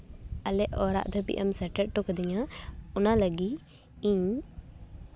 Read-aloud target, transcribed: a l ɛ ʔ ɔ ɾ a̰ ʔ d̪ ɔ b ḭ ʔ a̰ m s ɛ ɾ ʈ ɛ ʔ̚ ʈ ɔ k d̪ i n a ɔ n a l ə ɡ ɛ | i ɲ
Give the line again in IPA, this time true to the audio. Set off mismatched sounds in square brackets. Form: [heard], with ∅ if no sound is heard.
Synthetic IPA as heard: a l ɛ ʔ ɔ ɾ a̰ ʔ d̪ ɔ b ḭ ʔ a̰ m s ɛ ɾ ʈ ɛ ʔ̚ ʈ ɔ k d̪ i [ɲ] a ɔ n a l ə ɡ [i] | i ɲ